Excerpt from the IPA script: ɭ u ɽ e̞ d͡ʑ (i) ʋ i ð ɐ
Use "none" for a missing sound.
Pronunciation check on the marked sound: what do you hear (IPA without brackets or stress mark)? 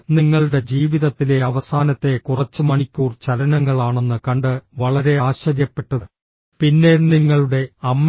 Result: iː